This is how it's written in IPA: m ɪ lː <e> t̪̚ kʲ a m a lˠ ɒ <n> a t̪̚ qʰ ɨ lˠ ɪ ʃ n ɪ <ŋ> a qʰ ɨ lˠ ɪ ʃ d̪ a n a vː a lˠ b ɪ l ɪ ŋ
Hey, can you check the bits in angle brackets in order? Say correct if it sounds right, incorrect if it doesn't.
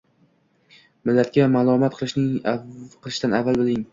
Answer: incorrect: a, incorrect: m, correct

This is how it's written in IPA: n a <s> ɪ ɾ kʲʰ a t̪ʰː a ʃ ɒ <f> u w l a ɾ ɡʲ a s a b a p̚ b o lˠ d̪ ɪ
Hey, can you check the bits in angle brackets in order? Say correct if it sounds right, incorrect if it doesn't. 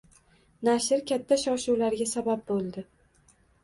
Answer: incorrect: ʃ, incorrect: ʃ

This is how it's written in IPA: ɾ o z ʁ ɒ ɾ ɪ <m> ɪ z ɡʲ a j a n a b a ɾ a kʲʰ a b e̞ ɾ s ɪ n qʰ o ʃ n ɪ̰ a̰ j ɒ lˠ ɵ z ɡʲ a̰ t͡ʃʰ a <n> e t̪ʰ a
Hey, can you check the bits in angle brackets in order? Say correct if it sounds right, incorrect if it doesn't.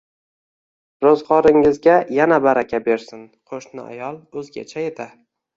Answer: incorrect: ŋ, incorrect: none

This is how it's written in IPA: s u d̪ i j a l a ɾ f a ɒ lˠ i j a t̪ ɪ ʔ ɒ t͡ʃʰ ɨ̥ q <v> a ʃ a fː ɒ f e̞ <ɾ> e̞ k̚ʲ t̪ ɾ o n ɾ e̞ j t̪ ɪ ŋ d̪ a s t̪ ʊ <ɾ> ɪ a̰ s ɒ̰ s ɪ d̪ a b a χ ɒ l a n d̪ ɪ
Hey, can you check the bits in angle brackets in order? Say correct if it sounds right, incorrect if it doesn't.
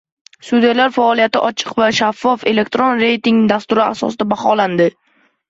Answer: correct, incorrect: l, correct

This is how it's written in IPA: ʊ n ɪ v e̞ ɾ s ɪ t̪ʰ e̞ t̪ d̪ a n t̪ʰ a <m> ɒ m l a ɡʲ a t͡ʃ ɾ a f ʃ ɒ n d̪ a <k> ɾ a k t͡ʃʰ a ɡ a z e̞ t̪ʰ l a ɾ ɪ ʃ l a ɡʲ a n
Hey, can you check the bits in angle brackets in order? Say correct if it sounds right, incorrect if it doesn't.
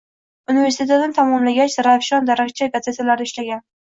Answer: correct, incorrect: none

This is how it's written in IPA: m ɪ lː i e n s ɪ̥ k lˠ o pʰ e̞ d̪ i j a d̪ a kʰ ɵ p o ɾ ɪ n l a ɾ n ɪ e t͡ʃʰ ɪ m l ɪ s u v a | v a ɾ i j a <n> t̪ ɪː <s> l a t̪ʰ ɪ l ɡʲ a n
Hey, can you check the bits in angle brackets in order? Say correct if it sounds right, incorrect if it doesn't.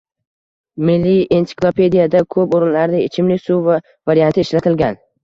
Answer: correct, incorrect: ʃ

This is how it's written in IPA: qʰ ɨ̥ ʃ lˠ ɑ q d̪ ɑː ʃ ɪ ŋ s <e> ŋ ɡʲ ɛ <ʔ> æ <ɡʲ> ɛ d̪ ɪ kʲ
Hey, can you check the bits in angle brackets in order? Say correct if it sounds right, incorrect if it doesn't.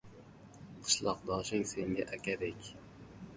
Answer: correct, correct, incorrect: kʲ

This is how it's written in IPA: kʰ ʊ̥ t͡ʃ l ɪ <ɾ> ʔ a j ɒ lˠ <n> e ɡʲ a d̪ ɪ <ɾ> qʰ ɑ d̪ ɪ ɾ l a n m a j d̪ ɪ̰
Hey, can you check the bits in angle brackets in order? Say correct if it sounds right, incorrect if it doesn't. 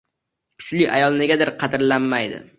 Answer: incorrect: none, correct, correct

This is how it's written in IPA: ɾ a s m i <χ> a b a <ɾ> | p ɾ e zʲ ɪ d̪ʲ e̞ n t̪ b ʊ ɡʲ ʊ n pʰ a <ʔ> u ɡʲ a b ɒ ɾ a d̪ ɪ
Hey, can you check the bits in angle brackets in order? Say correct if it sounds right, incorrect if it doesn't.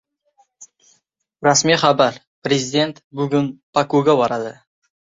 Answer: correct, correct, incorrect: k

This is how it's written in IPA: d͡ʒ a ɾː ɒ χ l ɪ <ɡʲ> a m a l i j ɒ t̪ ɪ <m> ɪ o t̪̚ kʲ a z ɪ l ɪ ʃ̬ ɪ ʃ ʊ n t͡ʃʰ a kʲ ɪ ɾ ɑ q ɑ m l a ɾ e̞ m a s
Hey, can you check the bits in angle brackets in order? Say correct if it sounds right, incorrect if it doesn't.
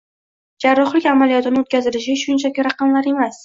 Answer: incorrect: kʲ, incorrect: n

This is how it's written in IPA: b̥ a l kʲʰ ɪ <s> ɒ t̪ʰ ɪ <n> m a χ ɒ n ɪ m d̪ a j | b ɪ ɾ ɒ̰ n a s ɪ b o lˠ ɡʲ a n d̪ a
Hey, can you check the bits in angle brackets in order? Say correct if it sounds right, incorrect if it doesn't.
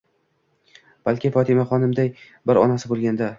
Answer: incorrect: f, incorrect: none

